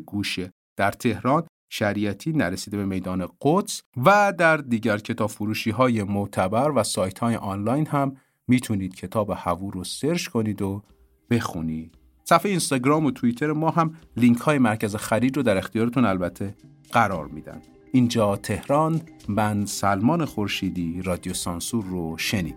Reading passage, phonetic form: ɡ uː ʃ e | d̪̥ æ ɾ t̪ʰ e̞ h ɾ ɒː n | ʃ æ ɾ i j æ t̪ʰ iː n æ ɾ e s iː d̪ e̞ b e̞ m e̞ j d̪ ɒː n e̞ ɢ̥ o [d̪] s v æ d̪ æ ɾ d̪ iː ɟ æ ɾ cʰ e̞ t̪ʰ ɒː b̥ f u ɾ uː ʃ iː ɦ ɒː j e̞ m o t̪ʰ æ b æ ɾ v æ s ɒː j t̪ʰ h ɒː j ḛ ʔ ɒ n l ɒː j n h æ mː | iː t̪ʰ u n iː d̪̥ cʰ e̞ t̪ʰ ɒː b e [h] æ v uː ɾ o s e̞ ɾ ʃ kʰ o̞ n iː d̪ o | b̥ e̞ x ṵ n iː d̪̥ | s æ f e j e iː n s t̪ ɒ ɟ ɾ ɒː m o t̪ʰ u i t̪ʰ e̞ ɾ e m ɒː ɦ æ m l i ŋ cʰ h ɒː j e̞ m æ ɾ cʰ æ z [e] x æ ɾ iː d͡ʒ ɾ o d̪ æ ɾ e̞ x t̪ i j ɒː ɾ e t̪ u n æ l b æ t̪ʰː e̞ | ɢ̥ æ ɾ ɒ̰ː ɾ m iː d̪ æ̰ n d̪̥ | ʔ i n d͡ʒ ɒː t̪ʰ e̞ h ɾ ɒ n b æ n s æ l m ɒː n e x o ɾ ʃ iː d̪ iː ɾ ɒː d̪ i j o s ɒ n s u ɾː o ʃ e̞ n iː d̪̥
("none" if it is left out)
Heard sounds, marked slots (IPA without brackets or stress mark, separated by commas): t̪, h, e